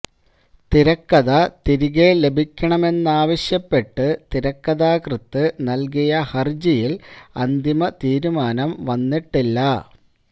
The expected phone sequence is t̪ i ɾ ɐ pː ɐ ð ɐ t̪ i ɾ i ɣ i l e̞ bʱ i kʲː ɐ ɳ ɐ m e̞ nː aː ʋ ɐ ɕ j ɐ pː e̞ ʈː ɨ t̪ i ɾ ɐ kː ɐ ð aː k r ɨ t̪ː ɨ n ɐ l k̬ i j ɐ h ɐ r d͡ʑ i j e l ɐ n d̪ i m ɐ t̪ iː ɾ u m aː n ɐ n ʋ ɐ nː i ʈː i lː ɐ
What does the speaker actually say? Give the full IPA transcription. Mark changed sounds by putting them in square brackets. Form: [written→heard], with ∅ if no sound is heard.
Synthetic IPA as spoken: t̪ i ɾ ɐ [pː→kː] ɐ ð ɐ t̪ i ɾ i ɣ [i→e] l e̞ bʱ i kʲː ɐ ɳ ɐ m e̞ nː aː ʋ ɐ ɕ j ɐ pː e̞ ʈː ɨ t̪ i ɾ ɐ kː ɐ ð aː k r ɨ t̪ː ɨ n ɐ l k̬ i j ɐ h ɐ r d͡ʑ i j [e→i] l ɐ n d̪ i m ɐ t̪ iː ɾ u m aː n ɐ [n→m] ʋ ɐ nː i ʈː i lː ɐ